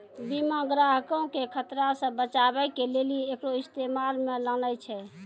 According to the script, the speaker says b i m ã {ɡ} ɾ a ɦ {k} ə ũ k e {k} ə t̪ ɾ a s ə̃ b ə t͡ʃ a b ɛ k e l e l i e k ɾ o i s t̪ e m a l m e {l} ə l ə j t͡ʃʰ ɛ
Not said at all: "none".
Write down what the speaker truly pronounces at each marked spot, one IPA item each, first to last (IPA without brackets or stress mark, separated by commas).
ɡ, k, kʰ, l